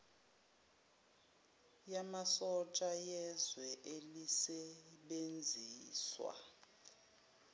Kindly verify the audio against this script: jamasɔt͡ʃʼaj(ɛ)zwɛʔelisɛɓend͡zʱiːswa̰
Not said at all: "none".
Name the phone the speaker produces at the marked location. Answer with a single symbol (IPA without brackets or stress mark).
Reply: ɛ